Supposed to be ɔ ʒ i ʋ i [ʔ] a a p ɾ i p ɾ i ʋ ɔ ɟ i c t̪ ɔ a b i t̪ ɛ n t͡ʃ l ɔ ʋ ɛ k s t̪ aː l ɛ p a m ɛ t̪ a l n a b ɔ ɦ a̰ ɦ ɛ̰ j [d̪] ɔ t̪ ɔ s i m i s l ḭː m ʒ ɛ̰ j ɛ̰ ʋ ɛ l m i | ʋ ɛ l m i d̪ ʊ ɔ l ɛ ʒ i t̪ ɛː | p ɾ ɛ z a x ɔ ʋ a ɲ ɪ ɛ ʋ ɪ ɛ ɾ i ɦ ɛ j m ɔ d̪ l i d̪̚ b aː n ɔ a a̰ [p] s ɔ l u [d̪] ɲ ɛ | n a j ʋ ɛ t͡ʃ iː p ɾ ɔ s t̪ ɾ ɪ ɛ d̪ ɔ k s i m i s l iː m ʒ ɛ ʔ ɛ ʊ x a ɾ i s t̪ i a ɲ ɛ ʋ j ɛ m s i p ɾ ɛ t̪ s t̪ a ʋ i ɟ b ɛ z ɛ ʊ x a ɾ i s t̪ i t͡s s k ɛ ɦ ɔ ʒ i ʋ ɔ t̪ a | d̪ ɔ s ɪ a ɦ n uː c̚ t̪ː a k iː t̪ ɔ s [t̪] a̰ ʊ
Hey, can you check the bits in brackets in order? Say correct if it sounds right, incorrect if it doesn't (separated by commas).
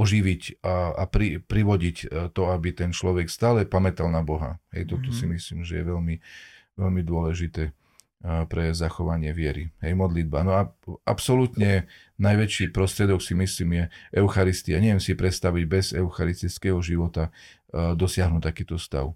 incorrect, incorrect, correct, incorrect, correct